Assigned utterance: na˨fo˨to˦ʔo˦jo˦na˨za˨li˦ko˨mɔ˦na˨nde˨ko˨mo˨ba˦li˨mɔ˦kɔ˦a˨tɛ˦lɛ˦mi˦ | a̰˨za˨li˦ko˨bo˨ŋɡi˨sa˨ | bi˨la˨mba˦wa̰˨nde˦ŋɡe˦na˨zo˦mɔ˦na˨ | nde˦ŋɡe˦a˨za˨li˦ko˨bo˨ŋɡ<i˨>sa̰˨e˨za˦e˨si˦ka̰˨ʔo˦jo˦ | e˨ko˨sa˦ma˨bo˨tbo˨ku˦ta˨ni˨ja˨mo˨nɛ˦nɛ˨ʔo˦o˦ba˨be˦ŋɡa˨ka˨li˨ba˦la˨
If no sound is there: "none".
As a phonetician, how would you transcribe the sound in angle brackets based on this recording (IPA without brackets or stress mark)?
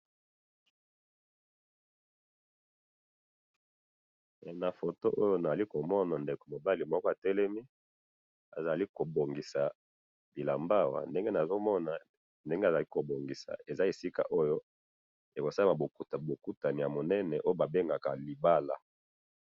i˨